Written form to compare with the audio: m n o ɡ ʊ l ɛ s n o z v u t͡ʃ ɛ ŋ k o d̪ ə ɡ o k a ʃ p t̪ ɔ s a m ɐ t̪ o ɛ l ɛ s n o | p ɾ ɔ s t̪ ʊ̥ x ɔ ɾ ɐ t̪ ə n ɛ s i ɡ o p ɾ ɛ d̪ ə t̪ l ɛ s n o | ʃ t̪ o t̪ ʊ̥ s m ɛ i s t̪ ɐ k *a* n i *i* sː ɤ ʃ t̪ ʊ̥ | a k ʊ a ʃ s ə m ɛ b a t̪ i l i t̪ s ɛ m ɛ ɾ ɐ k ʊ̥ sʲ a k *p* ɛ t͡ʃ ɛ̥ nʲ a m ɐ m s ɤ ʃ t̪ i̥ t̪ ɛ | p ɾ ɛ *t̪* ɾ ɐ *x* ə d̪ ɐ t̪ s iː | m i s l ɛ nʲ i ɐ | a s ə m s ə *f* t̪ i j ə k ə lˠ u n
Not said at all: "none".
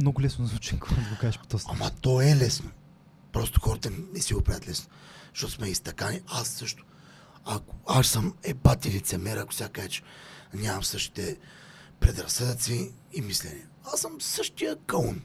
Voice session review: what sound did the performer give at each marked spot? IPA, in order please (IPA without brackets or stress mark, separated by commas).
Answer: a, a, k, d̪, s, ʃ